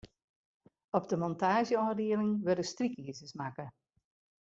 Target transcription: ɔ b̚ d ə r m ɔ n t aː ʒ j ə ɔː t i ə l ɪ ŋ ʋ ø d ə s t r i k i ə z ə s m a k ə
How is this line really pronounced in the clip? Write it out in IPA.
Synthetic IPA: ɔ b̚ d ə m ɔ n t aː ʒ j ə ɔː d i ə l ɪ ŋ ʋ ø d ə s t r i k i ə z ə s m a k ə